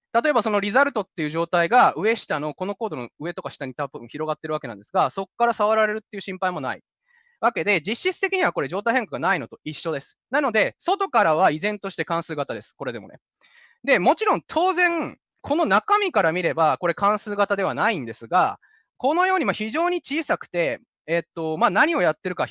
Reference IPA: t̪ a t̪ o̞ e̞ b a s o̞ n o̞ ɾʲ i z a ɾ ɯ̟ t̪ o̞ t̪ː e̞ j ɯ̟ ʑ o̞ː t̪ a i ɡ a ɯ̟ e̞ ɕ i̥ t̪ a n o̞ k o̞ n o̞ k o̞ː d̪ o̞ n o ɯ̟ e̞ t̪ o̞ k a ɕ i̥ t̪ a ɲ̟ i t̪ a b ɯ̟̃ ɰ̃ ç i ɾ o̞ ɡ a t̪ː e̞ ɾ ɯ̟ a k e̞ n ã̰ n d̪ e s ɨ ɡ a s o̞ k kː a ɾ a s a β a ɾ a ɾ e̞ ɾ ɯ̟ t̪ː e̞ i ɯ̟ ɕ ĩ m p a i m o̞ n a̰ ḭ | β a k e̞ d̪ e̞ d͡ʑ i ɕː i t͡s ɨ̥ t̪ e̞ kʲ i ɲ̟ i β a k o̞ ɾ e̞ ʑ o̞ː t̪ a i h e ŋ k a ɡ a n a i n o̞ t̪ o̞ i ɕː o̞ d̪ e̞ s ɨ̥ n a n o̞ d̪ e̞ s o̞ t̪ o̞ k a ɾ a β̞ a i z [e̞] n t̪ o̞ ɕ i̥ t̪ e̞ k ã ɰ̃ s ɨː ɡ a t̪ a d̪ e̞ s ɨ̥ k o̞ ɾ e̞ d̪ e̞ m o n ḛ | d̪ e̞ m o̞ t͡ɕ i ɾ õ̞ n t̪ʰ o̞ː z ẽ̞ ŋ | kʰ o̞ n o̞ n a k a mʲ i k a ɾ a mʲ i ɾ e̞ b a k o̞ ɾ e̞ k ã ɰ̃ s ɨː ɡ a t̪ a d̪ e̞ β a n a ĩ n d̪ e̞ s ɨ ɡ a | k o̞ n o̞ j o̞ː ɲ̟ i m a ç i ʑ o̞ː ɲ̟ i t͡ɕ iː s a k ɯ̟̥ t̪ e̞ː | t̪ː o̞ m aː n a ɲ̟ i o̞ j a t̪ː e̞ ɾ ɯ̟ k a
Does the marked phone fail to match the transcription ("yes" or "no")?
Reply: yes